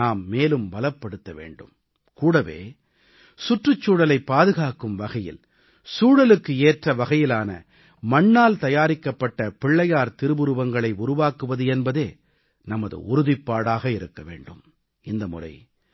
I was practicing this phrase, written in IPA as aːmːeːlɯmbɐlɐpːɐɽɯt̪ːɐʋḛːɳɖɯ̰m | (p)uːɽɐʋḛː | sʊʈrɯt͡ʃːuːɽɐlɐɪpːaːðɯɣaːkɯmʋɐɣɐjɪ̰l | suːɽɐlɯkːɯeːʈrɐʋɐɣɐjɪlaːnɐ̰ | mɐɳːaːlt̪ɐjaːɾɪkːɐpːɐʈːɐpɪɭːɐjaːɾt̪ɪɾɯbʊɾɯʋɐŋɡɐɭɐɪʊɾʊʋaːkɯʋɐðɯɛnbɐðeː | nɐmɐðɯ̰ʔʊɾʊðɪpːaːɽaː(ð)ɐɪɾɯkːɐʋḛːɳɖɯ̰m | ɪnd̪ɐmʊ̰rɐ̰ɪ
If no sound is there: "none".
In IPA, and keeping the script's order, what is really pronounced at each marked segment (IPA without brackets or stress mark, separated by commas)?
k, ɣ